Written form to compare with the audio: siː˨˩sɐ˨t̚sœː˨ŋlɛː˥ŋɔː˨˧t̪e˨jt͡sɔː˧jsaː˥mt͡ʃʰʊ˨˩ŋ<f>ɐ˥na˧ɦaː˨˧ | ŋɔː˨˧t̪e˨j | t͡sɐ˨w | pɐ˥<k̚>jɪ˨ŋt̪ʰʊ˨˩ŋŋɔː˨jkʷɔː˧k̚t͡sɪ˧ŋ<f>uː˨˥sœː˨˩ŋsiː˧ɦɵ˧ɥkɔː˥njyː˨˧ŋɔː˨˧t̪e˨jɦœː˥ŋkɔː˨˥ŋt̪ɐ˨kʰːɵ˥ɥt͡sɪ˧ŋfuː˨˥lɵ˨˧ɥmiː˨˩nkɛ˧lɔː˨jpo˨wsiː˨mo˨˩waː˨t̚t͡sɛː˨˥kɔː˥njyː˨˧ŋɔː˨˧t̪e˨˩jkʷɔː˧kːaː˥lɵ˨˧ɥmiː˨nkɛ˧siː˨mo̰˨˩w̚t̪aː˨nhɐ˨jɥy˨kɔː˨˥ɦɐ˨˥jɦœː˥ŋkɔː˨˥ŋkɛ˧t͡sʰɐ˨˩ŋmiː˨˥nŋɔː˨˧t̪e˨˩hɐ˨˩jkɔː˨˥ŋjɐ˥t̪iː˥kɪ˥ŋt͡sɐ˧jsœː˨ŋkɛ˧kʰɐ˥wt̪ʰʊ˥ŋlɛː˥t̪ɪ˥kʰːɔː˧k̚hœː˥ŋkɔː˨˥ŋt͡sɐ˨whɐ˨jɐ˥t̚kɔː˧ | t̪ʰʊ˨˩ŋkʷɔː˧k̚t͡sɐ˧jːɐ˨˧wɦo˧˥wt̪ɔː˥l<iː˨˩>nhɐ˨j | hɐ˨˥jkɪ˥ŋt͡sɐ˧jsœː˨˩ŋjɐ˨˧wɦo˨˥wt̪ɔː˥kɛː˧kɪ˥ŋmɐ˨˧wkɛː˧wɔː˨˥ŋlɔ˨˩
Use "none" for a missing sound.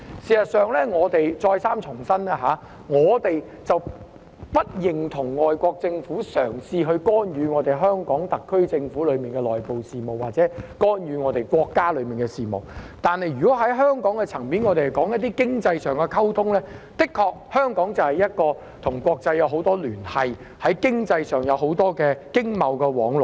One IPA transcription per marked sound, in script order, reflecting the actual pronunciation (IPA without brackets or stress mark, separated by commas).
s, t̚, f, yː˨˩